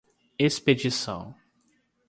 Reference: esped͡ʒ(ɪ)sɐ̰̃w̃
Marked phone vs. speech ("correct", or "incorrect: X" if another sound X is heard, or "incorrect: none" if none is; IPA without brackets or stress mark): incorrect: i